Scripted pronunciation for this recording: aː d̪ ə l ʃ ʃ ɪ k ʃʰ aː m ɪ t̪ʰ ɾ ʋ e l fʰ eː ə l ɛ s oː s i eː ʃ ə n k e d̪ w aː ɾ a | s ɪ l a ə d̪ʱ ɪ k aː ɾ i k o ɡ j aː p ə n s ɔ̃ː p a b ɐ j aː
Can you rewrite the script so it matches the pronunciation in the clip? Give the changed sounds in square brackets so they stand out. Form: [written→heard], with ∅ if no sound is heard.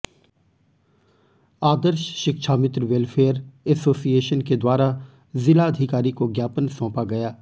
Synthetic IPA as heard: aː d̪ ə [l→ɾ] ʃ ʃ ɪ k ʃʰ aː m ɪ [t̪ʰ→t̪] ɾ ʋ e l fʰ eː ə [l→ɾ] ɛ s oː s i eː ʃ ə n k e d̪ w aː ɾ a | [s→z] ɪ l a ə d̪ʱ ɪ k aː ɾ i k o ɡ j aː p ə n s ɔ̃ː p a [b→ɡ] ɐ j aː